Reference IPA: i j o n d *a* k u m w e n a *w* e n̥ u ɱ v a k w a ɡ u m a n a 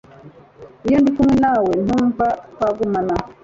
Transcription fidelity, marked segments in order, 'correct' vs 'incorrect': incorrect: i, correct

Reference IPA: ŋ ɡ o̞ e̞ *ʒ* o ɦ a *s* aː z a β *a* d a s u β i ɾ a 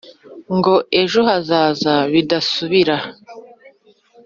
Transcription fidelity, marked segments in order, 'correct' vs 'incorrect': correct, incorrect: z, incorrect: i

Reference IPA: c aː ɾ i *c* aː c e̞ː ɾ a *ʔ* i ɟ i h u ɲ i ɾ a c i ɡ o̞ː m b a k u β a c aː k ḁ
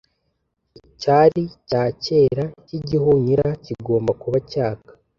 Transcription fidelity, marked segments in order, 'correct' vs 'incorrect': correct, incorrect: c

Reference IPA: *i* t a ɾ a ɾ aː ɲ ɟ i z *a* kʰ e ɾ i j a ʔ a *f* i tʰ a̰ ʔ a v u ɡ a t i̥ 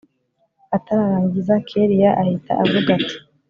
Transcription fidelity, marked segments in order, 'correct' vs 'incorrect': incorrect: a, correct, incorrect: h

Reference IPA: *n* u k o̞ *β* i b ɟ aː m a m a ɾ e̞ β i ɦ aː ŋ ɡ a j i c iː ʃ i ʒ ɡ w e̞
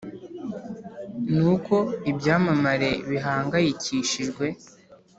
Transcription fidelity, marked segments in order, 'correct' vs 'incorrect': correct, incorrect: none

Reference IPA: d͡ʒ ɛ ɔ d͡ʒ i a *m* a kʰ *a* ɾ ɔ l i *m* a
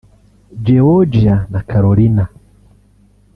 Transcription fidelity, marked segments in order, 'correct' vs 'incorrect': incorrect: n, correct, incorrect: n

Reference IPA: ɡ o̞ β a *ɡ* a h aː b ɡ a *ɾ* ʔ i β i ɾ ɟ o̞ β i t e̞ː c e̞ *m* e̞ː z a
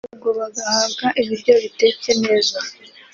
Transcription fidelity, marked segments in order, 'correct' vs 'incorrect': correct, incorrect: none, incorrect: n

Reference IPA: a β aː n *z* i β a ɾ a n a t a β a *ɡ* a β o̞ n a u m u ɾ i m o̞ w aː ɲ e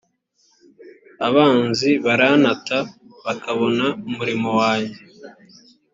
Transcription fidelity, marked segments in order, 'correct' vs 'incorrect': correct, incorrect: k

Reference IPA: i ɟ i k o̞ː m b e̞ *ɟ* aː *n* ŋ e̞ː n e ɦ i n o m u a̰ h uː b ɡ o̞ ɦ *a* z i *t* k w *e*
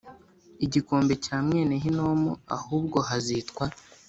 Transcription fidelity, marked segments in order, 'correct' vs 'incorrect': incorrect: c, incorrect: m, correct, correct, incorrect: a

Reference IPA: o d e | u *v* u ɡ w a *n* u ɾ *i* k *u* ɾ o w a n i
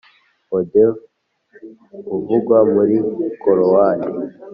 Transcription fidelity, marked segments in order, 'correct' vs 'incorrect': correct, incorrect: m, correct, incorrect: o

